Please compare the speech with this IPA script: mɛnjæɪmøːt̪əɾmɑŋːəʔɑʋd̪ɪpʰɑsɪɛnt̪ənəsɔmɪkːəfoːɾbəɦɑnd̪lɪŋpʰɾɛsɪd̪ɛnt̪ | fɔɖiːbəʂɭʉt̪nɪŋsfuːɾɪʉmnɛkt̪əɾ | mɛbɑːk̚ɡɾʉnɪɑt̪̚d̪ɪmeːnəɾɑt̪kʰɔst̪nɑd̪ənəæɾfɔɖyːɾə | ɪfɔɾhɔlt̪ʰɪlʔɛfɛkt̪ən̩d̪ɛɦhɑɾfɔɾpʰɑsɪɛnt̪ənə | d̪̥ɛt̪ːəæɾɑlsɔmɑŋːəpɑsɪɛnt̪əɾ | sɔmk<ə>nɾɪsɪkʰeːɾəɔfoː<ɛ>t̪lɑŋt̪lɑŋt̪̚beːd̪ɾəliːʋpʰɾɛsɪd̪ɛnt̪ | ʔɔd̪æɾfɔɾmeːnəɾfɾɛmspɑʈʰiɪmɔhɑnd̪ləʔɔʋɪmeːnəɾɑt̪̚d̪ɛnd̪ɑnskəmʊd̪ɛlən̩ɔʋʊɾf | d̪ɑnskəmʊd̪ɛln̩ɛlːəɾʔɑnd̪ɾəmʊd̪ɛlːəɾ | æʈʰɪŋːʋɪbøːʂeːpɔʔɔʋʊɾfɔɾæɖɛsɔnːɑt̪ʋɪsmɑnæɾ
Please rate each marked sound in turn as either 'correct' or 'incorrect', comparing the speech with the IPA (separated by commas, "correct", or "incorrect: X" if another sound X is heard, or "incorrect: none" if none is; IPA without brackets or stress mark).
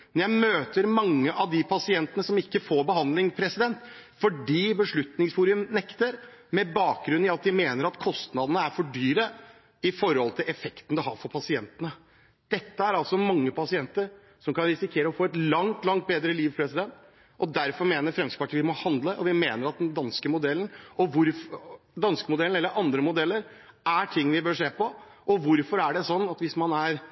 incorrect: ɑ, correct